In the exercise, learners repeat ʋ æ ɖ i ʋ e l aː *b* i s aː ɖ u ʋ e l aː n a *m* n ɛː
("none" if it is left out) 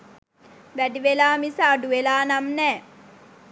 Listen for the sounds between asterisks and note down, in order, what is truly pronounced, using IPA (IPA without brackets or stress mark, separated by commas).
m, m